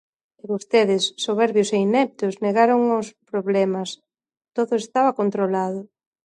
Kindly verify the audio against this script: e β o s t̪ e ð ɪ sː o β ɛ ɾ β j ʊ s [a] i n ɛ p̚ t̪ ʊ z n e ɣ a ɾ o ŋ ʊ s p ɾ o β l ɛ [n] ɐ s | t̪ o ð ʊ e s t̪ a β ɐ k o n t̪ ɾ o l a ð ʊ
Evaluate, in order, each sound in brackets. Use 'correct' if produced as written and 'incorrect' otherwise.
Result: incorrect, incorrect

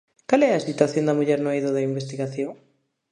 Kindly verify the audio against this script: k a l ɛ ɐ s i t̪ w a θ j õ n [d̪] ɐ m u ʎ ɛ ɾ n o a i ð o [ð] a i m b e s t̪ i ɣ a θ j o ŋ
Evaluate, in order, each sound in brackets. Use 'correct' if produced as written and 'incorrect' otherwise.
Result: correct, correct

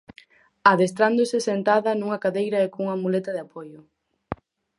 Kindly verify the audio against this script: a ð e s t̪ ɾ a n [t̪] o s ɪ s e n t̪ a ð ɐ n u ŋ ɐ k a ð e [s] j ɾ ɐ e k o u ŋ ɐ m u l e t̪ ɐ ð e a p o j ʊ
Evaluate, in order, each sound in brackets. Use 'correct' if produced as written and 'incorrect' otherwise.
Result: incorrect, incorrect

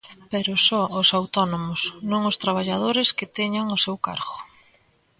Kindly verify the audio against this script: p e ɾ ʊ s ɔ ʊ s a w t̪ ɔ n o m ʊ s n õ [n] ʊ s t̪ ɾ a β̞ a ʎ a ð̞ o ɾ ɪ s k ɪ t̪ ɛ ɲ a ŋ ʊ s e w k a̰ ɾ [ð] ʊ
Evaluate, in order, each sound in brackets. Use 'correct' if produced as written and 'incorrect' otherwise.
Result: incorrect, incorrect

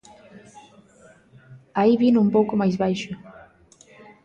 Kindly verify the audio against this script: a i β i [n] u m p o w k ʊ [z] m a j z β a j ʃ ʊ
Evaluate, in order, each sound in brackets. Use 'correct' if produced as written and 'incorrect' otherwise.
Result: correct, incorrect

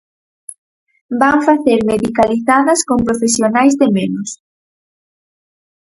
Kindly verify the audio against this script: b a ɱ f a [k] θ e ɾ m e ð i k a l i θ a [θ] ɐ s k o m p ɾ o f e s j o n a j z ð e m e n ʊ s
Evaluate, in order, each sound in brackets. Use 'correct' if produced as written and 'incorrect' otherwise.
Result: incorrect, incorrect

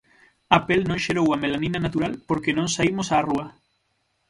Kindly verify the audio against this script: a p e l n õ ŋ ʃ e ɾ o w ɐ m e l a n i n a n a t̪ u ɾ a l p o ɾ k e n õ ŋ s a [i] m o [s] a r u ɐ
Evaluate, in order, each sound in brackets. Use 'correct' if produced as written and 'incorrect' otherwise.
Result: correct, correct

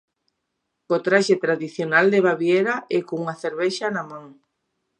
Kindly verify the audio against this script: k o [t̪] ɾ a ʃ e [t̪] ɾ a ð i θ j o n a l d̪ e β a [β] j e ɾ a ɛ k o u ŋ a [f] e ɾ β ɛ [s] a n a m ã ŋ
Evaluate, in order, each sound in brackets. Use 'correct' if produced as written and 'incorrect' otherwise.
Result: correct, correct, correct, incorrect, incorrect

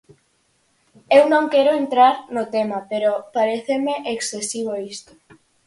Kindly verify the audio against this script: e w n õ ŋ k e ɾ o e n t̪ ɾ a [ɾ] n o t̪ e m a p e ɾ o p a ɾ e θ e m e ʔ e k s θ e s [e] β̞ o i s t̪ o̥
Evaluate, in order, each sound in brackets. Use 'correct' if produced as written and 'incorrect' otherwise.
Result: correct, incorrect

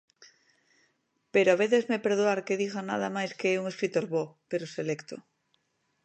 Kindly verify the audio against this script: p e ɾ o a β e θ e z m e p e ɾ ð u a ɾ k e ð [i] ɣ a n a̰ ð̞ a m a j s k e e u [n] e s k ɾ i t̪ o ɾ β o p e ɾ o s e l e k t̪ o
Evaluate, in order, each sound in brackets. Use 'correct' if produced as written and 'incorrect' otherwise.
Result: correct, incorrect

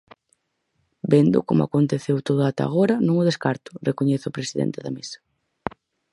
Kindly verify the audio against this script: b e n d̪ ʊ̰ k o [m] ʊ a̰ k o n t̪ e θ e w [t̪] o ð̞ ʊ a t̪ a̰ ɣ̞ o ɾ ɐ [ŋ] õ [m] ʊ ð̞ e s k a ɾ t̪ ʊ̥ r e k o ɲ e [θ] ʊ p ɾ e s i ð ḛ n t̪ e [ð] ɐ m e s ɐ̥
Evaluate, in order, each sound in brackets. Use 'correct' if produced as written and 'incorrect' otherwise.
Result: correct, correct, incorrect, incorrect, correct, correct

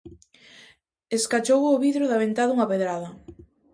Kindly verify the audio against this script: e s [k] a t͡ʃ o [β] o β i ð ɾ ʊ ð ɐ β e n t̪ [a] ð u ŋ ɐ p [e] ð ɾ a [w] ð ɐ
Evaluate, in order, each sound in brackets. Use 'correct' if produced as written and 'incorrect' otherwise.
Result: correct, incorrect, correct, correct, incorrect

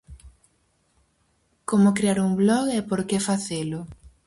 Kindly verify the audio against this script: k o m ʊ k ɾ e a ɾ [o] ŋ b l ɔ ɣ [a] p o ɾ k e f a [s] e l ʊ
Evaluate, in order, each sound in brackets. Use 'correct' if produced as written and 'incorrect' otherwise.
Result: incorrect, incorrect, incorrect

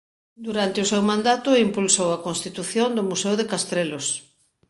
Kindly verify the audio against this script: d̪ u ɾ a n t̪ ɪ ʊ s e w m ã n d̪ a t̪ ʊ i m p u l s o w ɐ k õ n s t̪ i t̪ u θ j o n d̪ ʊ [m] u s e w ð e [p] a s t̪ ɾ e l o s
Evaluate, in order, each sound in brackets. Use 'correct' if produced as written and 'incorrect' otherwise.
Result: correct, incorrect

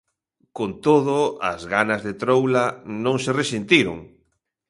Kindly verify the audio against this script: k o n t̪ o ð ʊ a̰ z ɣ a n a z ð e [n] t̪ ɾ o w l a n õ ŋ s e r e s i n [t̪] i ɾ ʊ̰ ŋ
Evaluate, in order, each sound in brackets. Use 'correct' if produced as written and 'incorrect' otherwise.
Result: incorrect, correct

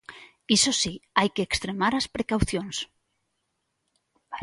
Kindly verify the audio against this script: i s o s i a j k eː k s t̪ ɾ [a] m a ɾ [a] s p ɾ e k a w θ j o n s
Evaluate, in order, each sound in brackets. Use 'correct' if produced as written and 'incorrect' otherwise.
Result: incorrect, correct

